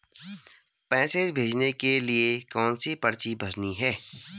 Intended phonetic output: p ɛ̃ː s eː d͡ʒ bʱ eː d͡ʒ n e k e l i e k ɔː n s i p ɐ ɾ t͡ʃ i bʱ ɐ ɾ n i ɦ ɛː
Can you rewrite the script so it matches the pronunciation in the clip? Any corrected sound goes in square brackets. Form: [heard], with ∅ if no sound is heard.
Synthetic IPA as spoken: p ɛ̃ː s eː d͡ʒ bʱ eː d͡ʒ n e k e l i e k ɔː n s i p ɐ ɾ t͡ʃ i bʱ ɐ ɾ n i ɦ ɛː